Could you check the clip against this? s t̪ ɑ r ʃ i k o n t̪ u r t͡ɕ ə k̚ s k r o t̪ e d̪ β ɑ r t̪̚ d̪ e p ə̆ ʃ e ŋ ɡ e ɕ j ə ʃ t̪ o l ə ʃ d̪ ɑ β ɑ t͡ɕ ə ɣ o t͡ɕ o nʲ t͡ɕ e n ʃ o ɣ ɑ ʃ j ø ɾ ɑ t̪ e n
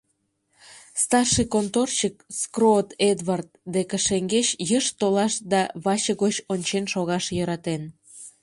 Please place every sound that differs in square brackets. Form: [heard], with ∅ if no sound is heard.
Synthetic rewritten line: s t̪ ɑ r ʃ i k o n t̪ [o] r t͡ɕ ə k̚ s k r o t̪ e d̪ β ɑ r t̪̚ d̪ e [k] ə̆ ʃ e ŋ ɡ e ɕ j ə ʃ t̪ o l [ɑ] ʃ d̪ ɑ β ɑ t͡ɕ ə ɣ o t͡ɕ o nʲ t͡ɕ e n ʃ o ɣ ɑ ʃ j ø ɾ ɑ t̪ e n